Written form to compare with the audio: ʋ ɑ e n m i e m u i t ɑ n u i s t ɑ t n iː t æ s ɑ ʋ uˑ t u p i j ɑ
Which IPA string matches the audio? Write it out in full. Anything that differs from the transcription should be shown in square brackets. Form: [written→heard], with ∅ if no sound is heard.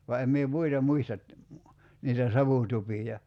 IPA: ʋ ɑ e [n→m] m i e m u i t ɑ [n→m] u i s t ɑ t n iː t æ s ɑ ʋ uˑ t u p i j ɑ